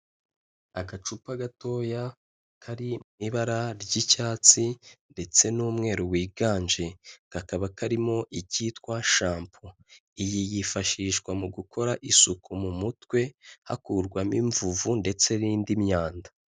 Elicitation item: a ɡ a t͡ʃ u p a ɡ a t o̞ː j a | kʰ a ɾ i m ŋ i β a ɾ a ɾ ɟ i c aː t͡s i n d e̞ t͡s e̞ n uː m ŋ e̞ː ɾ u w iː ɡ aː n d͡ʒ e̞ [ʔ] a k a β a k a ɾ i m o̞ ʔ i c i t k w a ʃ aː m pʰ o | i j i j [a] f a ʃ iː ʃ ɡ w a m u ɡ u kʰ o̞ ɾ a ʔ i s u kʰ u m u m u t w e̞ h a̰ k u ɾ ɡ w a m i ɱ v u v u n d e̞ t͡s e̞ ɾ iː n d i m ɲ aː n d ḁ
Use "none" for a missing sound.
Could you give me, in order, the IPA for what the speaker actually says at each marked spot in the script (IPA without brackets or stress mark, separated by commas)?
k, i